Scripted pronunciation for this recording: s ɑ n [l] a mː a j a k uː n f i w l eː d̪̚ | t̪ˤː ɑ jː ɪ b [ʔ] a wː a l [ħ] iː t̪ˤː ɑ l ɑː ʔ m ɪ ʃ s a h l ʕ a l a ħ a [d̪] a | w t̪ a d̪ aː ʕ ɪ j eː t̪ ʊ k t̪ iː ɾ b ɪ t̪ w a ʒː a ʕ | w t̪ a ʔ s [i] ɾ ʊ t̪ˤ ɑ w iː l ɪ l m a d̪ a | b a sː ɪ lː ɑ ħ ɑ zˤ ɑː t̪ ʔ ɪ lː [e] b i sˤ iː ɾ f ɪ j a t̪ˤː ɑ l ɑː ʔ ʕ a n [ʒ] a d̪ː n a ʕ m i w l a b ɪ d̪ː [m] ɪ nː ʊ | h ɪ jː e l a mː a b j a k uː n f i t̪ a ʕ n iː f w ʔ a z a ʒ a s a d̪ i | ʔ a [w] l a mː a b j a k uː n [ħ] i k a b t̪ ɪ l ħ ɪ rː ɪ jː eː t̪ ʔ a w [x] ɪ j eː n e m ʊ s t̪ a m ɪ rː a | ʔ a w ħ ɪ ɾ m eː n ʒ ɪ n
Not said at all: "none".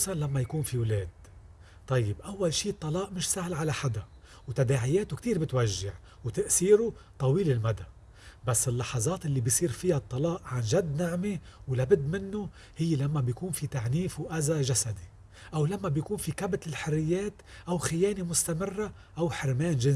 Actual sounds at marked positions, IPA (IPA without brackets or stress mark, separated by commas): l, ʔ, ʃ, d̪, iː, i, ʒ, m, w, f, x